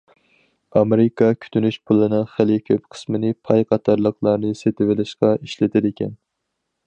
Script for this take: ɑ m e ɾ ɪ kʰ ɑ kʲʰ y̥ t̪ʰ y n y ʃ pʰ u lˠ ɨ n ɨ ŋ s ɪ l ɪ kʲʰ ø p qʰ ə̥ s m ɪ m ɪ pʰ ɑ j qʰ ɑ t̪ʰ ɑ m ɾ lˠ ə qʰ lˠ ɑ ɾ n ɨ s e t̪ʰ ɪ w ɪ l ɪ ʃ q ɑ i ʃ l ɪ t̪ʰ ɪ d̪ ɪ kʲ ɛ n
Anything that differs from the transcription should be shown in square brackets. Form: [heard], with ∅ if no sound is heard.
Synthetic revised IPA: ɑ m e ɾ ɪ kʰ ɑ kʲʰ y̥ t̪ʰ y n y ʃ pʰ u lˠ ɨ n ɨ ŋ [χ] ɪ l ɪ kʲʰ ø p qʰ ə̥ s m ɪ [n] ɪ pʰ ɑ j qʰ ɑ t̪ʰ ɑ [∅] ɾ lˠ ə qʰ lˠ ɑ ɾ n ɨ s e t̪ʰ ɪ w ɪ l ɪ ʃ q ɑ i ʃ l ɪ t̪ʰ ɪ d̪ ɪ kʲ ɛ n